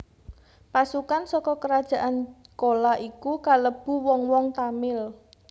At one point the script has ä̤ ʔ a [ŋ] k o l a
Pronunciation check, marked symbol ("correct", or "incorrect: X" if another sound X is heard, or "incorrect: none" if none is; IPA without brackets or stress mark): incorrect: n